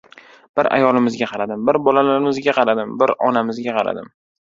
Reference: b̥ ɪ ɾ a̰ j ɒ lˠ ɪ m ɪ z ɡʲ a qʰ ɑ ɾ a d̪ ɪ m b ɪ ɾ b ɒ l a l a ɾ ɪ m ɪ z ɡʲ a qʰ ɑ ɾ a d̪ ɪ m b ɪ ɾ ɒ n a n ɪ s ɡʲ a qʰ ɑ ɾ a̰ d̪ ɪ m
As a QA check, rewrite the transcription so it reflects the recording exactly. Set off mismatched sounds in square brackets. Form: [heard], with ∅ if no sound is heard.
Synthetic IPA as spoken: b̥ ɪ ɾ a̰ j ɒ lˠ ɪ m ɪ z ɡʲ a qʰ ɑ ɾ a d̪ ɪ m b ɪ ɾ b ɒ l a l a ɾ ɪ m ɪ z ɡʲ a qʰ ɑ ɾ a d̪ ɪ m b ɪ ɾ ɒ n a [m] ɪ [z] ɡʲ a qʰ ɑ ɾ a̰ d̪ ɪ m